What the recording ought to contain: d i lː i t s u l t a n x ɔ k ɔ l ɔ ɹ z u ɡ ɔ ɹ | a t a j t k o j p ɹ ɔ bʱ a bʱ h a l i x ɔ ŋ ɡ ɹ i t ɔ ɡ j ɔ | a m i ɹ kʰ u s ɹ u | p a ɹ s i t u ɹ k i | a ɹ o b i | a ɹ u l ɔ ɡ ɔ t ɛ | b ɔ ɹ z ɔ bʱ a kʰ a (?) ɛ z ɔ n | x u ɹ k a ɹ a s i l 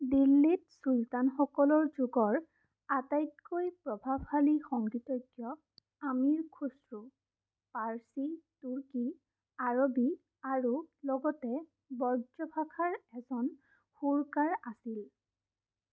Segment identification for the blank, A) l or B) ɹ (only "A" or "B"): B